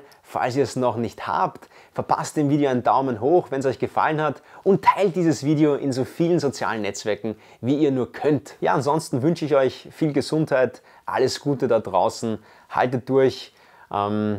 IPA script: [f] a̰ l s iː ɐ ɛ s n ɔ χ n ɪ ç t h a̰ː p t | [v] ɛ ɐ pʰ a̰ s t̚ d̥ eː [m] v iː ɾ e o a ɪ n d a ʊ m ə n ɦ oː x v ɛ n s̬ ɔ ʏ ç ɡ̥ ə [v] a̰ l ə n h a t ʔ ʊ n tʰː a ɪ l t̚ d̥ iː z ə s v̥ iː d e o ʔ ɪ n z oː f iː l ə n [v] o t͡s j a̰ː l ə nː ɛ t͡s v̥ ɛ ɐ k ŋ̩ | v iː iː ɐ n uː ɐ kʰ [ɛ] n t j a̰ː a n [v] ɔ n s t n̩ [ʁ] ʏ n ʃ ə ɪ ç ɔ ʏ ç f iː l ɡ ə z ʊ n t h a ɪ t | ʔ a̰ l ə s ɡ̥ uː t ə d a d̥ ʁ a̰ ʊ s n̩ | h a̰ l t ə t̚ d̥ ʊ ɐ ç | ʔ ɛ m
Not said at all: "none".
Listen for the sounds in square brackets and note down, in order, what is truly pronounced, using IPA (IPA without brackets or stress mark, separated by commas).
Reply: f, f, m, f, z, œ, z, v